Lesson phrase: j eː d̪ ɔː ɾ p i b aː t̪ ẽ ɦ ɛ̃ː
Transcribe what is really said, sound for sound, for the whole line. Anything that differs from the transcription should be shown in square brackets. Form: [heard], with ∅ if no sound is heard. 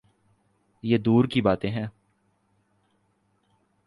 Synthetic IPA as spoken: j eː d̪ [uː] ɾ [k] i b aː t̪ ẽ ɦ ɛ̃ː